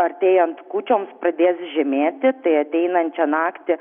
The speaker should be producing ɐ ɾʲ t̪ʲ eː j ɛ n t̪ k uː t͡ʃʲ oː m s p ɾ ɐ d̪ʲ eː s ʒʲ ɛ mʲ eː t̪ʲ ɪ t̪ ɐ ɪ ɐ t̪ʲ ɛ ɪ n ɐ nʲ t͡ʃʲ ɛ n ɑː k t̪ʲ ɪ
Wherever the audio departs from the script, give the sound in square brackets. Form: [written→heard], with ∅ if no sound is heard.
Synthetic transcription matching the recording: ɐ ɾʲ t̪ʲ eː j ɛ n t̪ k uː t͡ʃʲ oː m s p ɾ ɐ d̪ʲ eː s ʒʲ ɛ mʲ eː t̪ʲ ɪ t̪ ɐ ɪ ɐ t̪ʲ ɛ ɪ n ɐ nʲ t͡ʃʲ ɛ n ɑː k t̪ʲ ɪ